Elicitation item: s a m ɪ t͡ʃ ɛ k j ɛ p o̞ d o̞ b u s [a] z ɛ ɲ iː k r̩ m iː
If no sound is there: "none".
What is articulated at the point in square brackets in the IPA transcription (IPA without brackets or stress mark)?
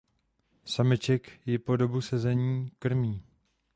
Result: ɛ